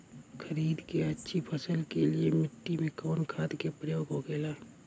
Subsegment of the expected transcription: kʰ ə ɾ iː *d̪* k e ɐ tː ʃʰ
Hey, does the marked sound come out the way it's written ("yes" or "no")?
yes